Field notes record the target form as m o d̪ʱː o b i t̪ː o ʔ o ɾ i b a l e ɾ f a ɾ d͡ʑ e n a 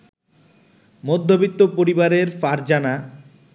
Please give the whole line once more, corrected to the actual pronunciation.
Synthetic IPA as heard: m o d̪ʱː o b i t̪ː o p o ɾ i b a ɾ e ɾ f a ɾ d͡ʑ a n a